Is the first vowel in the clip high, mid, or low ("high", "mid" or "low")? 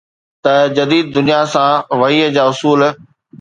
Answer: low